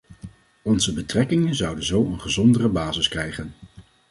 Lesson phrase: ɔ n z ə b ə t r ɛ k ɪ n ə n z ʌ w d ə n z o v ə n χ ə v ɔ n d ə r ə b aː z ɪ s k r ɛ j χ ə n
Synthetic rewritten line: ɔ n z ə b ə t r ɛ k ɪ ŋ ə n z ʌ w d ə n z o w ə n χ ə z ɔ n d ə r ə b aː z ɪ s k r ɛ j χ ə n